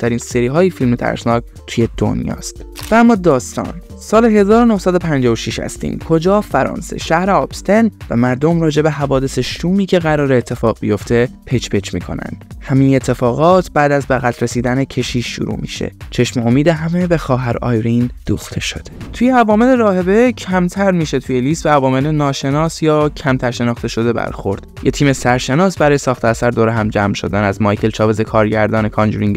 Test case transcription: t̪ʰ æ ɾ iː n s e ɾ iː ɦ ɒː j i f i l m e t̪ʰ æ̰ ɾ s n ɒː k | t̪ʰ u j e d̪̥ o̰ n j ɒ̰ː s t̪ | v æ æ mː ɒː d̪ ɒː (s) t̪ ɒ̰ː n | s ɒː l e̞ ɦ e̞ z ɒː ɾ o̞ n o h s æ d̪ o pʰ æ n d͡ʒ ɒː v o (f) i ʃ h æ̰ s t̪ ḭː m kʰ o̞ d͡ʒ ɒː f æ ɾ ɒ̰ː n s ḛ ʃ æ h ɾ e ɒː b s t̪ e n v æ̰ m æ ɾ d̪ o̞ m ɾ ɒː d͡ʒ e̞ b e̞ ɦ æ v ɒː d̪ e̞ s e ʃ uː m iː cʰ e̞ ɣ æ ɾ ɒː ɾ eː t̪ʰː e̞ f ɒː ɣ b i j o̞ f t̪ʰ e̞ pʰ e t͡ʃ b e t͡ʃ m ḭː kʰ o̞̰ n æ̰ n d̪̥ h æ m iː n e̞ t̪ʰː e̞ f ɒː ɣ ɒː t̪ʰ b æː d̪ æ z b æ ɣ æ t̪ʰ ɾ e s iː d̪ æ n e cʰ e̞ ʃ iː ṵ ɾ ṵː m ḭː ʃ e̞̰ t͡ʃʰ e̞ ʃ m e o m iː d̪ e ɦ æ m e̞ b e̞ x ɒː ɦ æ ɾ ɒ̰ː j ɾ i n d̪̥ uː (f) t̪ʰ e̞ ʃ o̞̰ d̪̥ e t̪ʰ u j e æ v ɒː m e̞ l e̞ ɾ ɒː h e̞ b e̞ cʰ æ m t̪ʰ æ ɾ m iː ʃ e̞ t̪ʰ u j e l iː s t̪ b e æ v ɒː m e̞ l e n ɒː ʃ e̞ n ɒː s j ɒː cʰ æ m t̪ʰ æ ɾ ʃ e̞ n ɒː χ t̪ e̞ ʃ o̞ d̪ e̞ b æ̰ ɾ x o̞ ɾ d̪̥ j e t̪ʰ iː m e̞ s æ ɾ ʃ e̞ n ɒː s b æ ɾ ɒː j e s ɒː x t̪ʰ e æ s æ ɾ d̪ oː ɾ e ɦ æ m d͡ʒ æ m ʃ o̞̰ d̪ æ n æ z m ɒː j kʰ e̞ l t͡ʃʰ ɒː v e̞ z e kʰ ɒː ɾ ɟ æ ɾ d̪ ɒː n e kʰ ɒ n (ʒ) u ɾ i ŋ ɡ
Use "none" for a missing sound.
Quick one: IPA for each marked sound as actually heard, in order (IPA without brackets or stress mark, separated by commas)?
s, ʃ, x, d͡ʒ